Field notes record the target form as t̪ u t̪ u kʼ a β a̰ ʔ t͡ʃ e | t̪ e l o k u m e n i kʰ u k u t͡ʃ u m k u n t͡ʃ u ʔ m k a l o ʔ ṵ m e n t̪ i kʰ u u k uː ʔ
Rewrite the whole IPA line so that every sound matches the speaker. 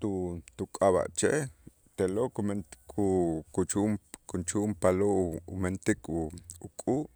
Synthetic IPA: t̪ u t̪ u kʼ a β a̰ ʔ t͡ʃ e | t̪ e l o k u m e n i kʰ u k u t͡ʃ u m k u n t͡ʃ u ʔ m p a l o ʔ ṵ m e n t̪ i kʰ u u kʼ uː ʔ